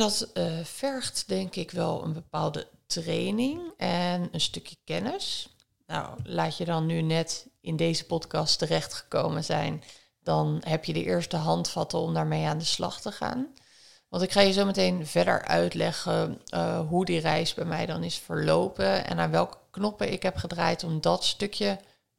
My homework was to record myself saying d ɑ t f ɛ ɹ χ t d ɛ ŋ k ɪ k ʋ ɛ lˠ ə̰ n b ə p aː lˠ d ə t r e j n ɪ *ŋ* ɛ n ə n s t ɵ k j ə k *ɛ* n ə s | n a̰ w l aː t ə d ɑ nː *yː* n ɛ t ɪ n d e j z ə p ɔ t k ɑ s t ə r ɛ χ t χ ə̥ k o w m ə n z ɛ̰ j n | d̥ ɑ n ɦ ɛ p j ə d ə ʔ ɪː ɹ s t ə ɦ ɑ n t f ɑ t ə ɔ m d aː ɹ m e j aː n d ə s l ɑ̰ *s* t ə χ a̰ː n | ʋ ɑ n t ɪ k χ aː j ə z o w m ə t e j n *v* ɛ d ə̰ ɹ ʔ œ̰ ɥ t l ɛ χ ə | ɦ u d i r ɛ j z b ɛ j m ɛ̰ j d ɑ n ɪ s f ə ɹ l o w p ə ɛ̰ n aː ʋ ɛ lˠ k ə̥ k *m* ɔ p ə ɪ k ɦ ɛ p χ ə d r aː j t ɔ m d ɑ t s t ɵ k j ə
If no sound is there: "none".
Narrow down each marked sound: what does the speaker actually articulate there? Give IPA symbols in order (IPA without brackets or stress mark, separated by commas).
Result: ŋ, ɛ, y, χ, v, n